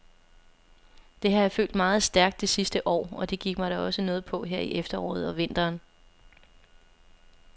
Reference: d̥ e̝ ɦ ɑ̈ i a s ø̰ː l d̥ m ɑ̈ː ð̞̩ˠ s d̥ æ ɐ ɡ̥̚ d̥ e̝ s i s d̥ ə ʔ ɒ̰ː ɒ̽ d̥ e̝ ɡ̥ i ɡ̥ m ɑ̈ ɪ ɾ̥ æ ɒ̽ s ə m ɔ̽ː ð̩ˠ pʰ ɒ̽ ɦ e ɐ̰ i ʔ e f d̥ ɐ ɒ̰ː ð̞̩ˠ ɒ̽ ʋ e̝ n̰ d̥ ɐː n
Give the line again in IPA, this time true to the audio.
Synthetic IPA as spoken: d̥ e̝ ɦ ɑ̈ j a f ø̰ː l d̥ m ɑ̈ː ð̞̩ˠ s d̥ æ ɐ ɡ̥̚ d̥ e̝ s i s d̥ ə ʔ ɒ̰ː ɒ̽ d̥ e̝ ɡ̥ i ɡ̥ m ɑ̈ ɪ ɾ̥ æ ɒ̽ s ə n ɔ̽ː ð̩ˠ pʰ ɒ̽ ɦ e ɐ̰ i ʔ e f d̥ ɐ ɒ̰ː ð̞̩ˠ ɒ̽ ʋ e̝ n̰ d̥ ɐː n